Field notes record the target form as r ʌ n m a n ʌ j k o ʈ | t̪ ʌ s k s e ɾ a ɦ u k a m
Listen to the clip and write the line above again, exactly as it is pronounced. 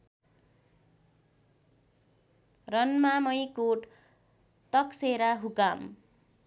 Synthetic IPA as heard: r ʌ n m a m ʌ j k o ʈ | t̪ ʌ k s e ɾ a ɦ u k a m